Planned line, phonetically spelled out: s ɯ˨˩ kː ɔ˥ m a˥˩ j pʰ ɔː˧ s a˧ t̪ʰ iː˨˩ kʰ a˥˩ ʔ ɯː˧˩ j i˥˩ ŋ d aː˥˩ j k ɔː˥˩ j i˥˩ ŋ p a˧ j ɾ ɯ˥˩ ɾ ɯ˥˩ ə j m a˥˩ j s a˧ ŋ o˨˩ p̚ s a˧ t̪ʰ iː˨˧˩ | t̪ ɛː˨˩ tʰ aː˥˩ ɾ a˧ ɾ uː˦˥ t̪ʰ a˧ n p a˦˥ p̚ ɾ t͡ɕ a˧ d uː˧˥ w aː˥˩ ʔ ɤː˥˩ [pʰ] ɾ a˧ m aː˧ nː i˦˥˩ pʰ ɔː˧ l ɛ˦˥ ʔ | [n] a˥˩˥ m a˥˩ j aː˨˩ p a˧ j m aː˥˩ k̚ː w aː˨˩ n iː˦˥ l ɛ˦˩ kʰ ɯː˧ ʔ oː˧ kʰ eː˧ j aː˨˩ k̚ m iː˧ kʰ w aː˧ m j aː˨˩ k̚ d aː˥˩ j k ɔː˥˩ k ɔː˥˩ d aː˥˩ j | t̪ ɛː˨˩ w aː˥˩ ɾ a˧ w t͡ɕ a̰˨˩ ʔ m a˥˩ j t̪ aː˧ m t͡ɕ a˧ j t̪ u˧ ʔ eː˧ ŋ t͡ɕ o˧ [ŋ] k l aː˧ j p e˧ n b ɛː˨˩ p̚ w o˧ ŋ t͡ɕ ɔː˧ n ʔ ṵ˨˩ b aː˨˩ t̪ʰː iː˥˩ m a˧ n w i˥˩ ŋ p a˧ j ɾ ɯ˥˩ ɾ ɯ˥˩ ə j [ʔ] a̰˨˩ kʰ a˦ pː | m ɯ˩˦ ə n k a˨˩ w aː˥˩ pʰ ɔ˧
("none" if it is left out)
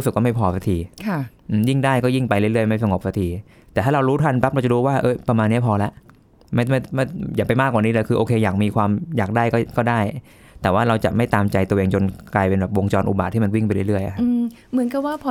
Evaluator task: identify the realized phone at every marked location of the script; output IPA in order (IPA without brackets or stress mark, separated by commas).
p, m, n, ʔ